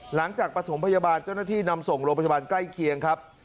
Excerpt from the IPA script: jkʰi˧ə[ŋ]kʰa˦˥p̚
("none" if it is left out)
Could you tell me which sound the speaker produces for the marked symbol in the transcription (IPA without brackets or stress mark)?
ŋ